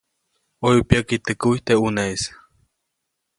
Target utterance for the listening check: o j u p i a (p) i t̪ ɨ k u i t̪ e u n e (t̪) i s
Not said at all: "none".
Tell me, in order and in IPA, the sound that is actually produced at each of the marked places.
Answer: k, none

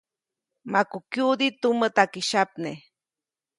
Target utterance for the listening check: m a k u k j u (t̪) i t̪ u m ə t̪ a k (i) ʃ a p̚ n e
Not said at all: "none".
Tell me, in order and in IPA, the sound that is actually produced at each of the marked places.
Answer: d̪, i

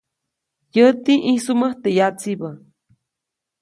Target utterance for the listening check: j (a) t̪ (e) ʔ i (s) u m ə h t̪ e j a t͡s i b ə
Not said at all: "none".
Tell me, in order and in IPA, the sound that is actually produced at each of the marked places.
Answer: ə, i, s

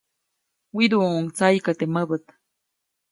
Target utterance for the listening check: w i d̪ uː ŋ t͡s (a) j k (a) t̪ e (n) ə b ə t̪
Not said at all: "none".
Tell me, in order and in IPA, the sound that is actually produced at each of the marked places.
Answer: a, a, m

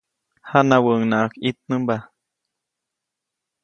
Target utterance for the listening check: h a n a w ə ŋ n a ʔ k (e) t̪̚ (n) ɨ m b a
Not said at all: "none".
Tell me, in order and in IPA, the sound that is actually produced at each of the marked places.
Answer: i, n

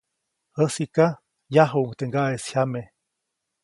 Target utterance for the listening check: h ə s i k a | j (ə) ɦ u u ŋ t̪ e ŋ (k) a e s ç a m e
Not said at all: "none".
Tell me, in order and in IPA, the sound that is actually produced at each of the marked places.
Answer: a, ɡ

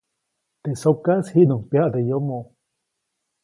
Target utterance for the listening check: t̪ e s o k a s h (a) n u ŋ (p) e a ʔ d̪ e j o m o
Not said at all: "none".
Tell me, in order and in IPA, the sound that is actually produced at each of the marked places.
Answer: i, p

